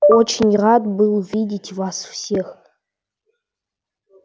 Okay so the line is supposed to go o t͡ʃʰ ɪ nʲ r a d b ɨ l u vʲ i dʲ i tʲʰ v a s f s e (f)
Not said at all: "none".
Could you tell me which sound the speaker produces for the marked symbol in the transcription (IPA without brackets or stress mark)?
x